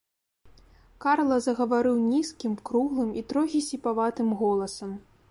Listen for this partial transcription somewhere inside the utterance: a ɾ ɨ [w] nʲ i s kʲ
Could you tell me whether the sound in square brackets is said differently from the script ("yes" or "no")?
no